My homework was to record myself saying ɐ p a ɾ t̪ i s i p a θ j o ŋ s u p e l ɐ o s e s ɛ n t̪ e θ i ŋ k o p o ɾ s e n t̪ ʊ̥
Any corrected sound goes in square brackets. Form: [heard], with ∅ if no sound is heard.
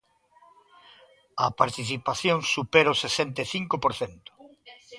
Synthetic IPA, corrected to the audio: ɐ p a ɾ t̪ i [θ] i p a θ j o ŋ s u p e [ɾ] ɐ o s e s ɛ n t̪ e θ i ŋ k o p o ɾ [θ] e n t̪ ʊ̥